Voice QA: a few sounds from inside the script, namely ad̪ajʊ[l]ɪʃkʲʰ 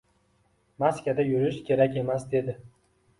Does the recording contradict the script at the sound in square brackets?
yes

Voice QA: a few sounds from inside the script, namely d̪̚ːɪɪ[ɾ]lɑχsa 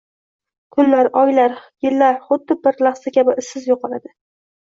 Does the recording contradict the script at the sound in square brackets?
no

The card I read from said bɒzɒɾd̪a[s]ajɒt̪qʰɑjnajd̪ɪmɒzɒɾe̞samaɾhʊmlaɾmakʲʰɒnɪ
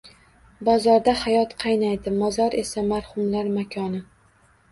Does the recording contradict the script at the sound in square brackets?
yes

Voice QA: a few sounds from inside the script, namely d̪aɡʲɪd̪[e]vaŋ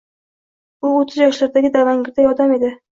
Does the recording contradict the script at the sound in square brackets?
yes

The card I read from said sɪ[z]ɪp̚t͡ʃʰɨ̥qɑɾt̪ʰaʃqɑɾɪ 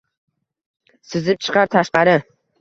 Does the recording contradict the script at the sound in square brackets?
no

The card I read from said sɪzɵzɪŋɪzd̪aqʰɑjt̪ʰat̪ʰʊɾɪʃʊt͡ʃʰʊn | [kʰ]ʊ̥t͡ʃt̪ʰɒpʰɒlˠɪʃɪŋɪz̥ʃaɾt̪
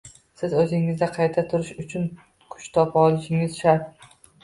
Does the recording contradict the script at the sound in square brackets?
no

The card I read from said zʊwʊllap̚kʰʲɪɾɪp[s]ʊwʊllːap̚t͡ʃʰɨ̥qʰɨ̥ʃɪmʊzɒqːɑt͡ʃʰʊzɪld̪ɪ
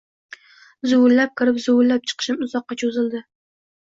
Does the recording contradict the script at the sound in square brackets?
yes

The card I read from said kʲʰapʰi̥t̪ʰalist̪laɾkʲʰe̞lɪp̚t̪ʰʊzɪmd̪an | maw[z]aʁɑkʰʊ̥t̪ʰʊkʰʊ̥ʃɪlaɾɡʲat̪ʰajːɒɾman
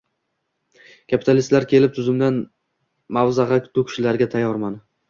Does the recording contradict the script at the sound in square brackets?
no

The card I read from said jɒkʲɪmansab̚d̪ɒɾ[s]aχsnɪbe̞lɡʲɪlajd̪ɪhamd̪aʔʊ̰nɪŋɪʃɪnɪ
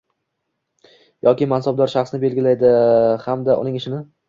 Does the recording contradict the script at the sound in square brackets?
yes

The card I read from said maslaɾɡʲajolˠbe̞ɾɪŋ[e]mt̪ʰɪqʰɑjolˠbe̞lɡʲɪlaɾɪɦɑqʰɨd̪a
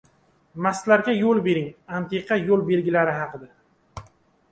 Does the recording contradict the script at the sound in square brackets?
yes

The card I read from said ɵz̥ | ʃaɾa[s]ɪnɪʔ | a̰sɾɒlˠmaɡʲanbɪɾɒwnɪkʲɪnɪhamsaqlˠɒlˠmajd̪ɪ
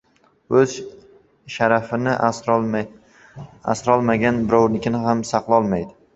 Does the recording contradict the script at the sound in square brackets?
yes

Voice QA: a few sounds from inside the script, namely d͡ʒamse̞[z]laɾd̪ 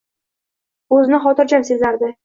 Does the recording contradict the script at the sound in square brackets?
no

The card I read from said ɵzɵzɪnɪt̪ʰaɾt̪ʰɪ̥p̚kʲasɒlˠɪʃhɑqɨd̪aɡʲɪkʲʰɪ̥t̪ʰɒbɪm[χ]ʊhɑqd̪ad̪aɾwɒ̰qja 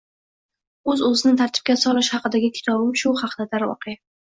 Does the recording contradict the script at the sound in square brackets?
yes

